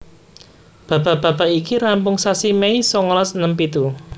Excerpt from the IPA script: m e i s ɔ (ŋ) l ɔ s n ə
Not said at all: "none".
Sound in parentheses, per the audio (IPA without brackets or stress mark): ŋ